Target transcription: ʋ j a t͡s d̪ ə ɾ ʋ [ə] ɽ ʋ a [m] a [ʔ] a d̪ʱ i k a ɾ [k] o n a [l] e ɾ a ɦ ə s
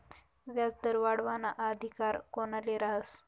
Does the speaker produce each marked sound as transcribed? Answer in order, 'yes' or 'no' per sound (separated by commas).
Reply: no, no, yes, yes, yes